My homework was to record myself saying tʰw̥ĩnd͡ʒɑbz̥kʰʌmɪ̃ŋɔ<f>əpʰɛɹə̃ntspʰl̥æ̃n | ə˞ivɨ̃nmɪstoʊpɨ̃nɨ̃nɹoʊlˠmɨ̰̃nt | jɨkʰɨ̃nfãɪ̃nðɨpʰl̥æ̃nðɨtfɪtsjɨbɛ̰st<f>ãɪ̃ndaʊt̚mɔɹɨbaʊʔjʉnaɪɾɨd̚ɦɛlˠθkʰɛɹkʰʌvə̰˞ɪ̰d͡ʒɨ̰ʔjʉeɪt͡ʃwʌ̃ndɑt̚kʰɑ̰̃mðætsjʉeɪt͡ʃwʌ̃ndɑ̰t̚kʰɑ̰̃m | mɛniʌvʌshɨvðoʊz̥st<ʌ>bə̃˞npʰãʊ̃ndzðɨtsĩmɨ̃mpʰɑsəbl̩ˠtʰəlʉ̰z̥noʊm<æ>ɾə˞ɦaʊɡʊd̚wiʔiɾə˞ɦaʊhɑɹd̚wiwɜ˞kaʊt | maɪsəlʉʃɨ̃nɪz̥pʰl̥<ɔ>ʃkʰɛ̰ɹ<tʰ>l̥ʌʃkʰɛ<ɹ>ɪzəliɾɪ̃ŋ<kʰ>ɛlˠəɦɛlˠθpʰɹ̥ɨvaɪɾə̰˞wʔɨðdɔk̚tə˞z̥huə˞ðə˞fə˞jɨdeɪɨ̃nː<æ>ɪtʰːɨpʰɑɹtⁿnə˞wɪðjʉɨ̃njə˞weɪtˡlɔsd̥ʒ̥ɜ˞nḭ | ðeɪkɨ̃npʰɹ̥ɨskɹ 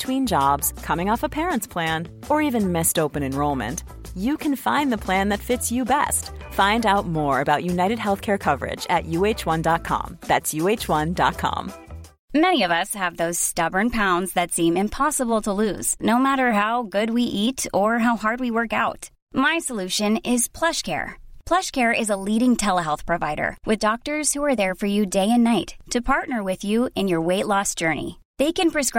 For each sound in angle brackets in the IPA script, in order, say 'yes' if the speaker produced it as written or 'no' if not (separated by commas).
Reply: yes, yes, yes, yes, no, no, yes, no, no